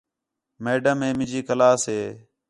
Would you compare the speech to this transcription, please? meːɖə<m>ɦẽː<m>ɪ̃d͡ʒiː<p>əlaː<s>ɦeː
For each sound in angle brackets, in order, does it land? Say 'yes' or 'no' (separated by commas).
yes, yes, no, yes